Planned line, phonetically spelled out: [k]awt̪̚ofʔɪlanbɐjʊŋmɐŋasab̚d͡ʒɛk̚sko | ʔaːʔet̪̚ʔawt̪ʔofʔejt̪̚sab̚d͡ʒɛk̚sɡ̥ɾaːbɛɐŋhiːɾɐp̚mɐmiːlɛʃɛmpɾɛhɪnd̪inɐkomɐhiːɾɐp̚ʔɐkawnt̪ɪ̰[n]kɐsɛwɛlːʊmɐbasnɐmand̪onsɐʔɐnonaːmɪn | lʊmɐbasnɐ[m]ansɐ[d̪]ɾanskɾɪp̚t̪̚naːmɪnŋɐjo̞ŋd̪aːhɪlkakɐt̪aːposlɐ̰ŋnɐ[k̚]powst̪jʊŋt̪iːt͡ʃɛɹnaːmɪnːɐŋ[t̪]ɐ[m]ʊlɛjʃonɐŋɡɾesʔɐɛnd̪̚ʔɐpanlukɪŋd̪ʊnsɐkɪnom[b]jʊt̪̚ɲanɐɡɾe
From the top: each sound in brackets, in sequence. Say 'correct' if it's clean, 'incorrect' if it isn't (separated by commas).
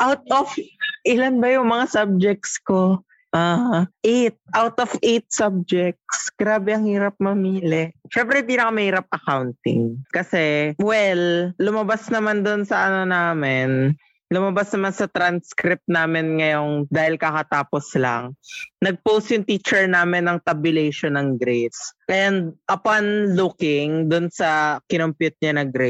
incorrect, incorrect, correct, incorrect, incorrect, correct, incorrect, incorrect